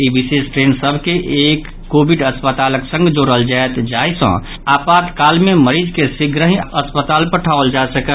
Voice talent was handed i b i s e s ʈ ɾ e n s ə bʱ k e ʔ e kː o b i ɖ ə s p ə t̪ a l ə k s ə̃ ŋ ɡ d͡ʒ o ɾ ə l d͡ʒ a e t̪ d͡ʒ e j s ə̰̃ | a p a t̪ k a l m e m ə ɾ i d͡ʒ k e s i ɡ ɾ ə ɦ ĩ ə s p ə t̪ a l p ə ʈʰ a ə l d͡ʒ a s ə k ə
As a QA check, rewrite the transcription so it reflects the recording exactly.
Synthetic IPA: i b i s e s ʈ ɾ e n s ə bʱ k e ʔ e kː o b i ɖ ə s p ə t̪ a l ə k s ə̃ ŋ ɡ d͡ʒ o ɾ ə l d͡ʒ a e t̪ d͡ʒ a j s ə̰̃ | a p a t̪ k a l m e m ə ɾ i d͡ʒ k e s i ɡ ɾ ə ɦ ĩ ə s p ə t̪ a l p ə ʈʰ a ə l d͡ʒ a s ə k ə